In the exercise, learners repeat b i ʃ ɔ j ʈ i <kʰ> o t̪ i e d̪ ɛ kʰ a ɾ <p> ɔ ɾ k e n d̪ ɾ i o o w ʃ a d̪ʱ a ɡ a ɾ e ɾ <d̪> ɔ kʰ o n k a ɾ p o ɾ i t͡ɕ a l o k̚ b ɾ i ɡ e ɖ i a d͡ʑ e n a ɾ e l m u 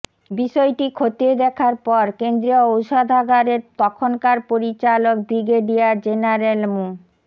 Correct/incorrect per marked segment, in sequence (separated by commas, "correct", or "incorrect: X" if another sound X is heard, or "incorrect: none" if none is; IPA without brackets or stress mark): correct, correct, incorrect: t̪